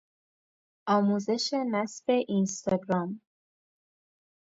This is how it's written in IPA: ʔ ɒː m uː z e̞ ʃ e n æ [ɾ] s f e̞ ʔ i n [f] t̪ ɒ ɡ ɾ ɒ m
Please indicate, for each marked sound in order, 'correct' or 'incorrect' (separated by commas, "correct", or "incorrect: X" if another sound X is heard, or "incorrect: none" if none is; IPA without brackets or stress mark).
incorrect: none, incorrect: s